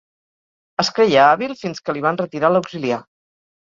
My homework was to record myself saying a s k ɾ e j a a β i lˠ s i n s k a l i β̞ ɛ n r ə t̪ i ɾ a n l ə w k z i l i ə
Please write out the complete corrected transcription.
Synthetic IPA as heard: ə s k ɾ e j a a β i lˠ f i n s k ə l i β̞ a n r ə t̪ i ɾ a l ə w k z i l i a